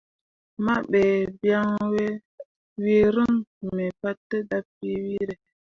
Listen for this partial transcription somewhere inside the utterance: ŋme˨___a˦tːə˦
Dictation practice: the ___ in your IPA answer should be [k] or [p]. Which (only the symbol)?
p